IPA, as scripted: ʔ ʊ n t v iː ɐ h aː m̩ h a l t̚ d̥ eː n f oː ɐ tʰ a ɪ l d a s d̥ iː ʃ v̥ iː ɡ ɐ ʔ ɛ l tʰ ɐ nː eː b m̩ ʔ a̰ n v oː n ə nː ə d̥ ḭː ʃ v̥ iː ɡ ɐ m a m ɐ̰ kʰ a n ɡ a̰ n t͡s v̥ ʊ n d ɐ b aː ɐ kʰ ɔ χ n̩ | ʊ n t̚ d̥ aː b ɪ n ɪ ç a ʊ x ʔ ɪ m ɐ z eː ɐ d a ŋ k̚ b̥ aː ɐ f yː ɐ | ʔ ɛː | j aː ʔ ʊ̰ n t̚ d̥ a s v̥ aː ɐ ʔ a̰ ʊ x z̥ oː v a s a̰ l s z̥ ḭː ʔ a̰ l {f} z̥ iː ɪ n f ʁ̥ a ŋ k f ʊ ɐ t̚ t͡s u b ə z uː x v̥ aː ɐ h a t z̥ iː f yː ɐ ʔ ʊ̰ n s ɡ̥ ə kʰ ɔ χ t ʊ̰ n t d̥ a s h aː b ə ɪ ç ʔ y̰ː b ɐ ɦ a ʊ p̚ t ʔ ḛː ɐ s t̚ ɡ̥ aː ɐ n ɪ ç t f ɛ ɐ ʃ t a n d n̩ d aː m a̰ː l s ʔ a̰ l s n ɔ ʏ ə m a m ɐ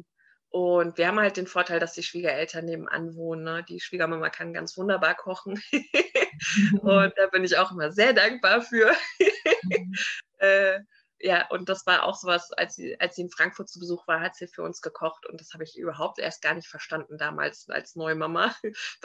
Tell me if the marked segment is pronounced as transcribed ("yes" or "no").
no